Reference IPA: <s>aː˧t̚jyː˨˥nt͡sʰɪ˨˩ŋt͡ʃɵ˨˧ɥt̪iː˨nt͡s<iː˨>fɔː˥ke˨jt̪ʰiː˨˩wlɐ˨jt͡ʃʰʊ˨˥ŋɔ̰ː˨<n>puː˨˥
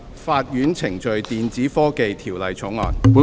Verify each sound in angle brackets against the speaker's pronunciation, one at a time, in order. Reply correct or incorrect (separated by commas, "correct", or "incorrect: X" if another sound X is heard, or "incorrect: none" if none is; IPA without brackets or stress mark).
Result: incorrect: f, incorrect: iː˨˥, correct